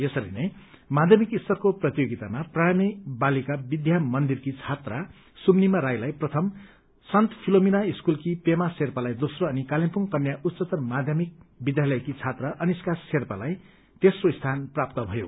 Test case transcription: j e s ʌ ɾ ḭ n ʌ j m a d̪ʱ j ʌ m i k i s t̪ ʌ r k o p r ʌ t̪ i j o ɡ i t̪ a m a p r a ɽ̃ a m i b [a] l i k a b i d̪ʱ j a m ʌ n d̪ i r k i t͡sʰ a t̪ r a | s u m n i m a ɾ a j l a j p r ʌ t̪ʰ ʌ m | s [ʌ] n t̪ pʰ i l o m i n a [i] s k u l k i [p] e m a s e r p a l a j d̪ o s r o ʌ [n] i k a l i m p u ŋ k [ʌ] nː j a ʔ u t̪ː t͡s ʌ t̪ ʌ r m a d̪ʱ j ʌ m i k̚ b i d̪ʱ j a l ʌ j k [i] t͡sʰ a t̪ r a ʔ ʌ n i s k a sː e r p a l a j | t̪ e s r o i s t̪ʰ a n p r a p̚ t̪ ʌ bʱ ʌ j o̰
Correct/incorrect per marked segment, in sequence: correct, correct, correct, correct, correct, correct, correct

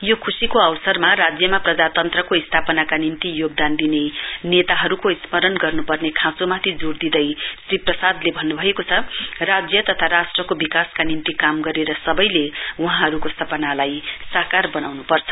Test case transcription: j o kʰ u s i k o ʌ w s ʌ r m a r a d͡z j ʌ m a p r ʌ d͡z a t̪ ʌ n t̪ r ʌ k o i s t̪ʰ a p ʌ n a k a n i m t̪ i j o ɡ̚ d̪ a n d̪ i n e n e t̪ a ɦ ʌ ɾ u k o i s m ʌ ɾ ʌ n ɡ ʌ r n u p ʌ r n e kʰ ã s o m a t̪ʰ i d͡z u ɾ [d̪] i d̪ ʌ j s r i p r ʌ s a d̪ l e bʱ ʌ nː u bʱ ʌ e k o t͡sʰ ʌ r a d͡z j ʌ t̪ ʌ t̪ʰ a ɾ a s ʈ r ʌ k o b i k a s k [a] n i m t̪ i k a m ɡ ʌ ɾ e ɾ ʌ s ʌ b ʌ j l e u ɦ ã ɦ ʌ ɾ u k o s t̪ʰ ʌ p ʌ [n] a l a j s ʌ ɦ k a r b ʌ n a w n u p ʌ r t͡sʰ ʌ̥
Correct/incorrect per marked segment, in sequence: correct, correct, correct

